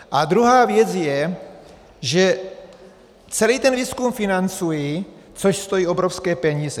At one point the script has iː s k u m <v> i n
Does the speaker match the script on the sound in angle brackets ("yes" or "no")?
no